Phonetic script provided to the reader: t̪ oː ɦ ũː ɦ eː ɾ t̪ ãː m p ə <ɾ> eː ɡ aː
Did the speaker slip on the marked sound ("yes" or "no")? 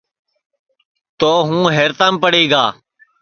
yes